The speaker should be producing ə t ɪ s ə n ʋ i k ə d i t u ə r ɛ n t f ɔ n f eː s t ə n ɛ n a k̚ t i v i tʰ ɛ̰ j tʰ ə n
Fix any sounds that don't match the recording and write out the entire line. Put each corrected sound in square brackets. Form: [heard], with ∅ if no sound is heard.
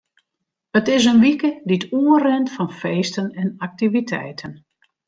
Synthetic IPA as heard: ə t ɪ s ə n ʋ i k ə d i t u ə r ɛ n t f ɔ n f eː s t ə n ɛ n a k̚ t i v i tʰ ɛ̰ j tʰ ə n